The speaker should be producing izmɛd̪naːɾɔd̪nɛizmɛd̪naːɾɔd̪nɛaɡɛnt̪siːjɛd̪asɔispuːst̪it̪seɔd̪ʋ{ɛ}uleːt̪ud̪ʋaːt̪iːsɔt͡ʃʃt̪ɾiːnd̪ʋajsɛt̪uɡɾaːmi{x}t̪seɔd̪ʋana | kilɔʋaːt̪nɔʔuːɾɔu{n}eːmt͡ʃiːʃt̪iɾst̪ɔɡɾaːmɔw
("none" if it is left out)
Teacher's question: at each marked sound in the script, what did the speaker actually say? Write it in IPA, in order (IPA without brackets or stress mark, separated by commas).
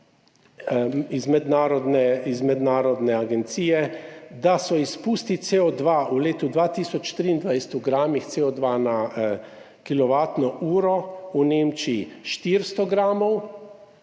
a, x, n